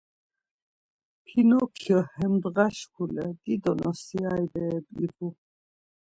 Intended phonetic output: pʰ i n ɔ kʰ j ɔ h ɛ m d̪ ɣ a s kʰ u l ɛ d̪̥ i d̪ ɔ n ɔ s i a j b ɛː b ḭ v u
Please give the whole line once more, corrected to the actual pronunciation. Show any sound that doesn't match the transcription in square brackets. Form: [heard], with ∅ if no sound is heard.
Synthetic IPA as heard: pʰ i n ɔ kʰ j ɔ h ɛ m d̪ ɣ a [ʃ] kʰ u l ɛ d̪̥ i d̪ ɔ n ɔ s i a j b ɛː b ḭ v u